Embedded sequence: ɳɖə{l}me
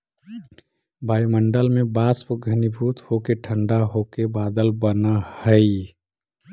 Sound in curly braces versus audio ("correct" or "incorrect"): correct